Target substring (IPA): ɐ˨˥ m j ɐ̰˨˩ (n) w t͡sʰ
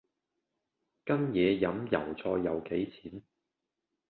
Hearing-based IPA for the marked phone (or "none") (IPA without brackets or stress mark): none